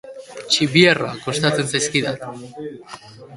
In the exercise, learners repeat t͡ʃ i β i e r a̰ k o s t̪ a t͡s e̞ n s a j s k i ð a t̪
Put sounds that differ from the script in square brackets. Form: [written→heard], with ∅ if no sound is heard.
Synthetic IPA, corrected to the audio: t͡ʃ i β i e r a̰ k o s t̪ a t͡s e̞ n s a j s k i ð a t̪